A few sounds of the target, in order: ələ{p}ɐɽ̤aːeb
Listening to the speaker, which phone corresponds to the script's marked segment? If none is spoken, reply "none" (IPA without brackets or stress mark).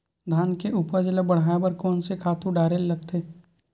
b